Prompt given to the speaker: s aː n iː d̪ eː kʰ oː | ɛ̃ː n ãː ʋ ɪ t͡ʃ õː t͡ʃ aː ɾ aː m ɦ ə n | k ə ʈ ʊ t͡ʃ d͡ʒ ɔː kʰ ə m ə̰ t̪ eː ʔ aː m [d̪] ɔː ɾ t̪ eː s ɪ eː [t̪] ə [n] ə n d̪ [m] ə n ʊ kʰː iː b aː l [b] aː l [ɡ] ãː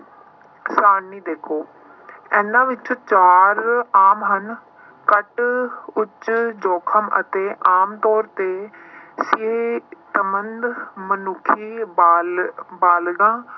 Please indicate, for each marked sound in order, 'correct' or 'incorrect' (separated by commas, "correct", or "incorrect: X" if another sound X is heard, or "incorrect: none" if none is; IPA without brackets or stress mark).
incorrect: t̪, correct, incorrect: m, correct, correct, correct